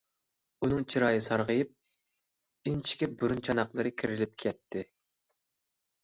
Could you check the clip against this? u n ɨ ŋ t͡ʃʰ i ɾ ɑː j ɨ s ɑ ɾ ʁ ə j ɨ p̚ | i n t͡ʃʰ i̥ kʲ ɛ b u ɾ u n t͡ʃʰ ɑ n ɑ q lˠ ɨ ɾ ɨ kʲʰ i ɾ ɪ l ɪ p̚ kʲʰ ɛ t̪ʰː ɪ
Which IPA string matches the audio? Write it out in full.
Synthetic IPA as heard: u n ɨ ŋ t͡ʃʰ i ɾ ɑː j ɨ s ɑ ɾ ʁ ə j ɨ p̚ | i n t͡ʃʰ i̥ kʲ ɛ b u ɾ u n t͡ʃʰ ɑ n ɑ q lˠ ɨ ɾ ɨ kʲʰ i ɾ ɪ l ɪ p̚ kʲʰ ɛ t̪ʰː ɪ

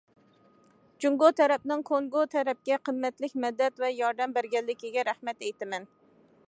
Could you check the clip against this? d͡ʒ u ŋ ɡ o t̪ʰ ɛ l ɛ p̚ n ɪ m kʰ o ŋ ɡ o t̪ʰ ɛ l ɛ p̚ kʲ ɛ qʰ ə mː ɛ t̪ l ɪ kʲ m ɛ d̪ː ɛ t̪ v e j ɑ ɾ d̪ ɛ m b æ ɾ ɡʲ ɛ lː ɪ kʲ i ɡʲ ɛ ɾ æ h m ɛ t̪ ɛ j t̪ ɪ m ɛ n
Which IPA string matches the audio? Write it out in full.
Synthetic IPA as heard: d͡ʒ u ŋ ɡ o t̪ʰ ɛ ɾ ɛ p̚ n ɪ ŋ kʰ o ŋ ɡ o t̪ʰ ɛ ɾ ɛ p̚ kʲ ɛ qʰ ə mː ɛ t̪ l ɪ kʲ m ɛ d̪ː ɛ t̪ v ɛ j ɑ ɾ d̪ ɛ m b æ ɾ ɡʲ ɛ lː ɪ kʲ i ɡʲ ɛ ɾ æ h m ɛ t̪ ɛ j t̪ ɪ m ɛ n

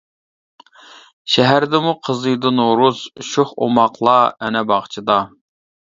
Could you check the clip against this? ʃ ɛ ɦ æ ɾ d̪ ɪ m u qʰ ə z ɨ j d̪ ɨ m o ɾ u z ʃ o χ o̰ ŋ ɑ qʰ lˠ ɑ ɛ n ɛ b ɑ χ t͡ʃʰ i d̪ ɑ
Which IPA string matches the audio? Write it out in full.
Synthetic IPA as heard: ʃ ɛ ɦ æ ɾ d̪ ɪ m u qʰ ə z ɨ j d̪ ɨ n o ɾ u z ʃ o χ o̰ m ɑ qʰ lˠ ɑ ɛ n ɛ b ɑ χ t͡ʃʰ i d̪ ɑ

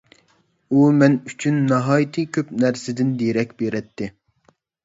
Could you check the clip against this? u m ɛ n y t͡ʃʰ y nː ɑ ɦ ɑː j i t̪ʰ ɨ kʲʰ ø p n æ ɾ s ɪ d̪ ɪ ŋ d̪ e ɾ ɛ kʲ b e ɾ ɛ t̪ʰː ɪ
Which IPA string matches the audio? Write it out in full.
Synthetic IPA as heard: u m ɛ n y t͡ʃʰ y nː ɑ ɦ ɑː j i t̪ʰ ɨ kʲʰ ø p n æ ɾ s ɪ d̪ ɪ n d̪ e ɾ ɛ kʲ b e ɾ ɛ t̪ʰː ɪ

